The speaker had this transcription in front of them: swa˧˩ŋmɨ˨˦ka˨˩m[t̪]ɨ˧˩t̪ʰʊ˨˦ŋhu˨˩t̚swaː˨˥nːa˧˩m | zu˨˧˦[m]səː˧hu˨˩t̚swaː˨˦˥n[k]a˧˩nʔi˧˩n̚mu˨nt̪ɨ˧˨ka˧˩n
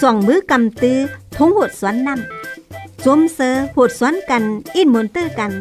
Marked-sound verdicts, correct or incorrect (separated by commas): correct, correct, correct